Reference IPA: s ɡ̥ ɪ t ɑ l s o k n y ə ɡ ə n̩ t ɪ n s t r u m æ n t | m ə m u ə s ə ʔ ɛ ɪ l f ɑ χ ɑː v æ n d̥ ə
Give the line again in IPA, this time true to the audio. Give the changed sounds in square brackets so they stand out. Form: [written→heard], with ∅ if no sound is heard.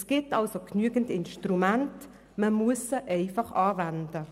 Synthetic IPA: s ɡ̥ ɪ t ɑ l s o k n y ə ɡ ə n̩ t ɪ n [s→ʃ] t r u m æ n t | m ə m u ə s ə ʔ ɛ ɪ [l→∅] f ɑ χ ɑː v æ n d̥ ə